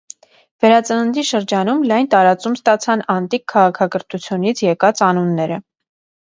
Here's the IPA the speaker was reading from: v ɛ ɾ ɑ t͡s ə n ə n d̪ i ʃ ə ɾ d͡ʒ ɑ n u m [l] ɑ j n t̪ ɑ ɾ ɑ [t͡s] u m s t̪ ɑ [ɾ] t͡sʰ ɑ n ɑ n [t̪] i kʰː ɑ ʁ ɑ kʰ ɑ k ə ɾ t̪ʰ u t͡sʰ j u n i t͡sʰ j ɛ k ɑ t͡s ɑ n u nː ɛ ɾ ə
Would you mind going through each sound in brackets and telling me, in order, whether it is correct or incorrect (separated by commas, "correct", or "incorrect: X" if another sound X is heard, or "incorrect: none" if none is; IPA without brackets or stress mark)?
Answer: correct, correct, incorrect: none, correct